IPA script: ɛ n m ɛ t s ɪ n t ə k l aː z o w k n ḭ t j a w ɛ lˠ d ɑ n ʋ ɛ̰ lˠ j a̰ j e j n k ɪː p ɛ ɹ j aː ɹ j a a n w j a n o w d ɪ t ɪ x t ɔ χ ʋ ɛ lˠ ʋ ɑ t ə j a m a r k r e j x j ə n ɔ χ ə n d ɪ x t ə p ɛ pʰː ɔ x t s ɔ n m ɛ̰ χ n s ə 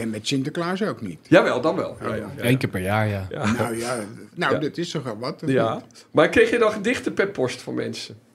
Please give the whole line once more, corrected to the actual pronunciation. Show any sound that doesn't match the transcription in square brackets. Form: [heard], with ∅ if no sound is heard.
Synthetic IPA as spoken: ɛ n m ɛ t s ɪ n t ə k l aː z o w k n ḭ t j a [ʋ] ɛ lˠ d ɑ n ʋ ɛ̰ lˠ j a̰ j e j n k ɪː p ɛ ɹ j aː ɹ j a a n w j a n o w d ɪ t ɪ [s] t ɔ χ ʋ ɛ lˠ ʋ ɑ t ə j a m a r k r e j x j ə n ɔ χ ə n d ɪ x t ə p ɛ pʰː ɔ [s] t [f] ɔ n m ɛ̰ [∅] n s ə